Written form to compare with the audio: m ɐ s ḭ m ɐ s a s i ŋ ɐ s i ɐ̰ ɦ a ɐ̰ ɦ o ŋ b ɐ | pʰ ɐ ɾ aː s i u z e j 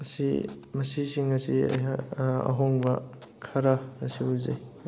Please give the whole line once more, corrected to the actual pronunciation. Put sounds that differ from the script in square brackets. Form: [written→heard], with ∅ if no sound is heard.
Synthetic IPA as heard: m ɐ s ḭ m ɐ s [a→i] s i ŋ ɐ s i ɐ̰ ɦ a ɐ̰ ɦ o ŋ b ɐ | [pʰ→kʰ] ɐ ɾ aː s i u z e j